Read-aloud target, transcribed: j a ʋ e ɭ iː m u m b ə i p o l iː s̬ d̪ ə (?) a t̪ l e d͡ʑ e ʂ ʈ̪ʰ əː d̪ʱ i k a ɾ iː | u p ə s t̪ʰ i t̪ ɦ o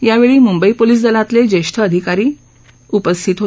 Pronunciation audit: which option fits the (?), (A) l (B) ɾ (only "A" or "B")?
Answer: A